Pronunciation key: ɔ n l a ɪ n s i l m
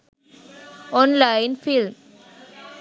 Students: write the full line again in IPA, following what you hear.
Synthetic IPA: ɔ n l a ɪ n f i l m